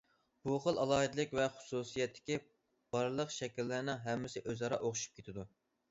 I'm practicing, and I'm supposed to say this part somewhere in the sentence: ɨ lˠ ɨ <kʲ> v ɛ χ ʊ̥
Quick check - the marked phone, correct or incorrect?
correct